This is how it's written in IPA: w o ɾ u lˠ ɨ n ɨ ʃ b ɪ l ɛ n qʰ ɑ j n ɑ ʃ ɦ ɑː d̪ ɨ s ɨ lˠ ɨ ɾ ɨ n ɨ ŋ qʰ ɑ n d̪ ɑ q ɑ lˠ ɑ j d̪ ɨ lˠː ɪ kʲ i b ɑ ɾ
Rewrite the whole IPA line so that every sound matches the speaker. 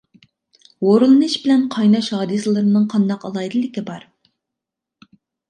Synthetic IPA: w o ɾ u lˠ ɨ n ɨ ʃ b ɪ l ɛ n qʰ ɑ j n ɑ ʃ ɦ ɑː d̪ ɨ s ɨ lˠ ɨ ɾ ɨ n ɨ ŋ qʰ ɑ n d̪ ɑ q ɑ lˠ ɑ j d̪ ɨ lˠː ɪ kʲ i b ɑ ɾ